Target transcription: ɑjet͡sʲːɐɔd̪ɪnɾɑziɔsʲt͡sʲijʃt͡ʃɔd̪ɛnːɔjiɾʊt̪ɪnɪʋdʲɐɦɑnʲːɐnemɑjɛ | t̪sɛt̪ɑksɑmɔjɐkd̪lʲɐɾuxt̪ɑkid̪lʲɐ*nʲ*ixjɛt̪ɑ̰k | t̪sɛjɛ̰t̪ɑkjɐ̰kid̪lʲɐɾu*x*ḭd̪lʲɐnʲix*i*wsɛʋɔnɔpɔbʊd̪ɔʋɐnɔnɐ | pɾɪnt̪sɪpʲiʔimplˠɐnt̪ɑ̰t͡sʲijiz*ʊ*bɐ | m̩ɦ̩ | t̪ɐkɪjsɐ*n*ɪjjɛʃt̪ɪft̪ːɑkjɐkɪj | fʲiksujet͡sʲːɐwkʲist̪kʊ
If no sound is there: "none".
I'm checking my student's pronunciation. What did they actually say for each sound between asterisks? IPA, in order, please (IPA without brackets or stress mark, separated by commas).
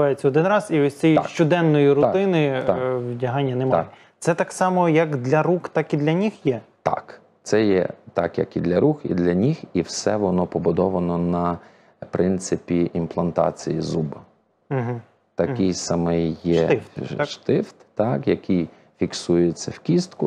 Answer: nʲ, x, i, u, m